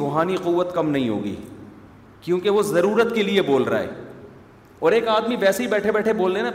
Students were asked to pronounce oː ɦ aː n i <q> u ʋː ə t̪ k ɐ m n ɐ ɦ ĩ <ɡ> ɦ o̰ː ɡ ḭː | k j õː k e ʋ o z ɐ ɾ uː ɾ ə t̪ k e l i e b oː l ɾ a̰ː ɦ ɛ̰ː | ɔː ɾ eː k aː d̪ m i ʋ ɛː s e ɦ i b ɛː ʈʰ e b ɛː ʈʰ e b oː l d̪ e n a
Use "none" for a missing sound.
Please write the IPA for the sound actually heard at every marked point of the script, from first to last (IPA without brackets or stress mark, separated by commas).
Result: q, none